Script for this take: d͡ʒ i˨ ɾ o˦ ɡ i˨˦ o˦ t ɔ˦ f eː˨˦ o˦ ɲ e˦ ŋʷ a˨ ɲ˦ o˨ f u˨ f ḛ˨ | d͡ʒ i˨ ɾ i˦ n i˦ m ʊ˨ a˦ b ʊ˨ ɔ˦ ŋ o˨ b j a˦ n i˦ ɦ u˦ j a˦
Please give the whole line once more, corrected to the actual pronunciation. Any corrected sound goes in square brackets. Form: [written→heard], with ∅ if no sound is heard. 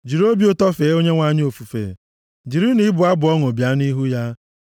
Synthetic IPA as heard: d͡ʒ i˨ ɾ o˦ [ɡ→b] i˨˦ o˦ t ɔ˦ f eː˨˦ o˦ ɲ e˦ ŋʷ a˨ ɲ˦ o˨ f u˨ f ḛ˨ | d͡ʒ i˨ ɾ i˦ n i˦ [m→b] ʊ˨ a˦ b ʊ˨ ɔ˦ ŋ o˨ b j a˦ n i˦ ɦ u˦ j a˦